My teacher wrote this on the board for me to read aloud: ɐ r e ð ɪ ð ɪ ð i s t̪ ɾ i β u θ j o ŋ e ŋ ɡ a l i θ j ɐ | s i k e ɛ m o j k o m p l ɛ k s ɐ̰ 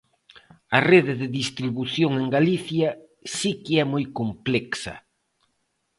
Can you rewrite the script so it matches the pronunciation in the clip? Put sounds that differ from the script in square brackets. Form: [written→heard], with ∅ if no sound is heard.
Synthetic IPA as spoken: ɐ r e ð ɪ ð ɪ ð i s t̪ ɾ i β u θ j o ŋ e ŋ ɡ a l i θ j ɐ | s i k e ɛ m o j k o m p l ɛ k s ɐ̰